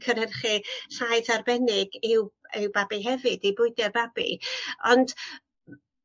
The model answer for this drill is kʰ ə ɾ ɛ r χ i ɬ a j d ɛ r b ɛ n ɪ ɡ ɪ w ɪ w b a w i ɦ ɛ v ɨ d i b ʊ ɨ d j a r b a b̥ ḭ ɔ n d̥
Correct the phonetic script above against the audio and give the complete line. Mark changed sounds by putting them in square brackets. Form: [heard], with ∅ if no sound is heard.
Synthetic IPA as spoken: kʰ ə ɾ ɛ r χ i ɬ a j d [a] r b ɛ n ɪ ɡ ɪ w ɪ w b a [b] i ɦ ɛ v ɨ d i b ʊ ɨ d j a r b a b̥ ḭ ɔ n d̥